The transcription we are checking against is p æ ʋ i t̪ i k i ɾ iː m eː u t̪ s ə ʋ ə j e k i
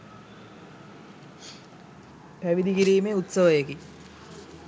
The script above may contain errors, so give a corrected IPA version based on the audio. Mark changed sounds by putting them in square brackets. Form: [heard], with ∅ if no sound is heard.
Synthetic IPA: p æ ʋ i [d̪] i k i ɾ iː m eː u t̪ s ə ʋ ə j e k i

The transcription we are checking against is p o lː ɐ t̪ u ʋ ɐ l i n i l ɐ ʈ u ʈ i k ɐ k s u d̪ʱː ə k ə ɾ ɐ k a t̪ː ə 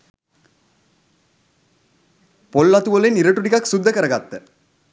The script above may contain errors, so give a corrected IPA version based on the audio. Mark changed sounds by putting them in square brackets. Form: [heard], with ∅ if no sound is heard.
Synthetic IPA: p o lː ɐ t̪ u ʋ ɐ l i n i [ɾ] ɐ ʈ u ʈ i k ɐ k s u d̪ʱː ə k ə ɾ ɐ [ɡ] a t̪ː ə

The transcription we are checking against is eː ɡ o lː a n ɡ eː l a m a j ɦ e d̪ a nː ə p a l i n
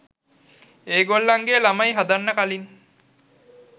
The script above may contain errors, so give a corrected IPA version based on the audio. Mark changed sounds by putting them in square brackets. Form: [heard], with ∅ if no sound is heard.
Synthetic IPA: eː ɡ o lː a [ŋ] ɡ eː l a m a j ɦ [a] d̪ a nː ə [k] a l i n

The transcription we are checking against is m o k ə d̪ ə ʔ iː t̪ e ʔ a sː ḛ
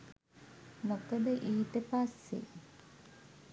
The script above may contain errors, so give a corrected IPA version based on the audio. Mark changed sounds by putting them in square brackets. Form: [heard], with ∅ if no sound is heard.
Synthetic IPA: m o k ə d̪ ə ʔ iː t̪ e [p] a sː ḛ

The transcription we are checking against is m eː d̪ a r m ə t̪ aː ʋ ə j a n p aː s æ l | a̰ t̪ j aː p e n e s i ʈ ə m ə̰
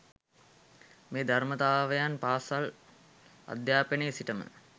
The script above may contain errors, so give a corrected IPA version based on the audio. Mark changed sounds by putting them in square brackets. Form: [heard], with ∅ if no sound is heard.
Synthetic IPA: m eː d̪ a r m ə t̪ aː ʋ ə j a n p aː s [a] l | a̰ [d̪] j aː p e n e s i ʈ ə m ə̰

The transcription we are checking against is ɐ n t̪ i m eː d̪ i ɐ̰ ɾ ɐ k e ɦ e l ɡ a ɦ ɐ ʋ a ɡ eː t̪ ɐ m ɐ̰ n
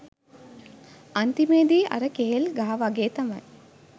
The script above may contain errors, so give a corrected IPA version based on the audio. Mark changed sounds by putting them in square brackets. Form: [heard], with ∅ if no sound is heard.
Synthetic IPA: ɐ n t̪ i m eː d̪ i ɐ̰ ɾ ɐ k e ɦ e l ɡ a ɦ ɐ ʋ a ɡ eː t̪ ɐ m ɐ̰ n

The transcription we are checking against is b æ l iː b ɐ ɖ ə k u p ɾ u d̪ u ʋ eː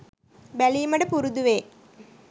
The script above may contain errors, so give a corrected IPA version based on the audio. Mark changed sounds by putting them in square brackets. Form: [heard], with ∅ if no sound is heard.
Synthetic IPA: b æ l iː [m] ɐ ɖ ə [p] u [∅] ɾ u d̪ u ʋ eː

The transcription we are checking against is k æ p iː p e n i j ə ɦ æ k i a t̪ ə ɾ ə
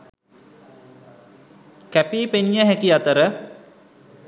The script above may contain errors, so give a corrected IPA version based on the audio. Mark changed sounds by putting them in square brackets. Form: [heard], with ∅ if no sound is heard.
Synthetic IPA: k æ p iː p e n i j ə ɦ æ k i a t̪ ə ɾ ə

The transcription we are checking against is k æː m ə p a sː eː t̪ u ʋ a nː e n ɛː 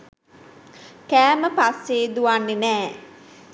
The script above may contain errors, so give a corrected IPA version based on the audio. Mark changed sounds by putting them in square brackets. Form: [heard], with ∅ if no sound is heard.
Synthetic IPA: k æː m ə p a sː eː [d̪] u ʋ a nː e n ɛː

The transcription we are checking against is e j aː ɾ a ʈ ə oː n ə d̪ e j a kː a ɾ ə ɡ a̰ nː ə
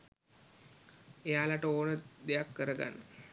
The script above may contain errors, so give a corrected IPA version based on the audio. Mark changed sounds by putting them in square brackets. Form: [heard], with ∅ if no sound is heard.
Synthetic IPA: e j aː [l] a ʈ ə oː n ə d̪ e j a kː [ə] ɾ ə ɡ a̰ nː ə

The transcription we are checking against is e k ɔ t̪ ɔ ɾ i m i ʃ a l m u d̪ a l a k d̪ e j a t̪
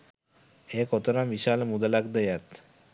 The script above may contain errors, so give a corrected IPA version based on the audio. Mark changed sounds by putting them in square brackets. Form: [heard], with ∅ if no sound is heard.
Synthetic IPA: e k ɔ t̪ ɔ ɾ [a] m i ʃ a l m u d̪ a l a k d̪ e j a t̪

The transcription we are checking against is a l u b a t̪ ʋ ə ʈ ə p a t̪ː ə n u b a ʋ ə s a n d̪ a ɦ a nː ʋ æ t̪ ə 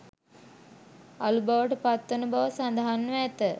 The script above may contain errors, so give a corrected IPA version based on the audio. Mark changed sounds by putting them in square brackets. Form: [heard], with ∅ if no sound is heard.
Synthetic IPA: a l u b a [∅] ʋ ə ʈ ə p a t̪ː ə n u b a ʋ ə s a n d̪ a ɦ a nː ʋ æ t̪ ə

